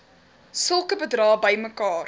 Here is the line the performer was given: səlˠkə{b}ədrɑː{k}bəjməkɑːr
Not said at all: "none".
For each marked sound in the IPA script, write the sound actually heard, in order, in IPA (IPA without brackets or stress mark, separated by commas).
b, none